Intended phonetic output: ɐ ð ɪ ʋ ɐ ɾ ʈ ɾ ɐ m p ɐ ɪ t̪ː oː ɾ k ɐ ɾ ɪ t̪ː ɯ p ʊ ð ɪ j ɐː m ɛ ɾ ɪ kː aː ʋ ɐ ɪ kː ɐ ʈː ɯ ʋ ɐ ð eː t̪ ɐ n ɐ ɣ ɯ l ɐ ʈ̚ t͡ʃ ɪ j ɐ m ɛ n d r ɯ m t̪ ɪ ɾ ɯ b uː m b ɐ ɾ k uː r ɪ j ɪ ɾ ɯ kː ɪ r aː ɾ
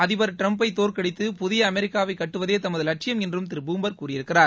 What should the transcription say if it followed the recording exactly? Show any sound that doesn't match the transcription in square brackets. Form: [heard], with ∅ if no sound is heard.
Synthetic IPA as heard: ɐ ð ɪ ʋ ɐ ɾ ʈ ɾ ɐ m p ɐ ɪ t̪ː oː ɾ k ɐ [ɽ] ɪ t̪ː ɯ p ʊ ð ɪ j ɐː m ɛ ɾ ɪ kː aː ʋ ɐ ɪ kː ɐ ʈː ɯ ʋ ɐ ð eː t̪ ɐ [m] ɐ [ð] ɯ l ɐ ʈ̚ t͡ʃ ɪ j ɐ m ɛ n d r ɯ m t̪ ɪ ɾ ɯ b uː m b ɐ ɾ k uː r ɪ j ɪ ɾ ɯ kː ɪ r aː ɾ